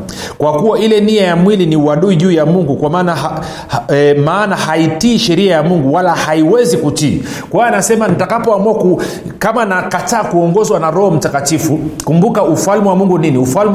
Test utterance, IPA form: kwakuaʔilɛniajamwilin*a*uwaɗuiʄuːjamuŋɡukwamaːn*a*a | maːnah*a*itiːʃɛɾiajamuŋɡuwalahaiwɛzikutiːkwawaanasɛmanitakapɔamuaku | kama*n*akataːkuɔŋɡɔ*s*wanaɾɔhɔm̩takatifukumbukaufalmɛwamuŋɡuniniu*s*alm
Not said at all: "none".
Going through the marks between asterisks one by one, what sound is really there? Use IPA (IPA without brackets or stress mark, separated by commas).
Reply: i, a, a, n, z, f